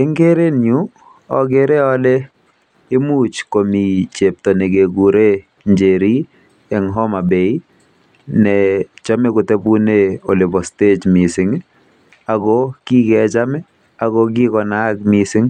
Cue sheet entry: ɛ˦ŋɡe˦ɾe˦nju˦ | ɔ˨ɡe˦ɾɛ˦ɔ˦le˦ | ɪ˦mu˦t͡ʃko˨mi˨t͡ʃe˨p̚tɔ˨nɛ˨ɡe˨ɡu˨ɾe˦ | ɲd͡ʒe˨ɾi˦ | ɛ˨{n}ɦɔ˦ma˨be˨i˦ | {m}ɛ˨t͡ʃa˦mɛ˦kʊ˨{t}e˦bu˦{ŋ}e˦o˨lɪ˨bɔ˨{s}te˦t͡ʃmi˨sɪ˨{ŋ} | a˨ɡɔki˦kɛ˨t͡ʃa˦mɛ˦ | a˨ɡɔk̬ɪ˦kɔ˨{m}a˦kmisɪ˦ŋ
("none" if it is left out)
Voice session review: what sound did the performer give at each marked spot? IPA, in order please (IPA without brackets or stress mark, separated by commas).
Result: ŋ, n, t, n, s, ŋ, n